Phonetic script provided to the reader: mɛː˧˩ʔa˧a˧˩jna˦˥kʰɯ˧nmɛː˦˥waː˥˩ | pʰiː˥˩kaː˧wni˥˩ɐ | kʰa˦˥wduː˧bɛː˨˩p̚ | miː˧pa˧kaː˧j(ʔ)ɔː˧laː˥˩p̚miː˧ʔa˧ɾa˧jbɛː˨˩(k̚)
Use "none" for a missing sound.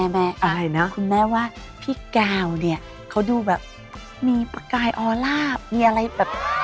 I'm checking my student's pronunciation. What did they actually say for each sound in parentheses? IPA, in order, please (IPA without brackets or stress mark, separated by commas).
ʔ, p̚